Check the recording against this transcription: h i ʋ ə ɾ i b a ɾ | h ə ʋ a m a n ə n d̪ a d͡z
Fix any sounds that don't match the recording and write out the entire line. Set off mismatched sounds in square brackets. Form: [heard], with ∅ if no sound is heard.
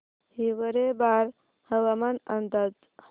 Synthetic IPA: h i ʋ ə ɾ [e] b a ɾ | h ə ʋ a m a n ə n d̪ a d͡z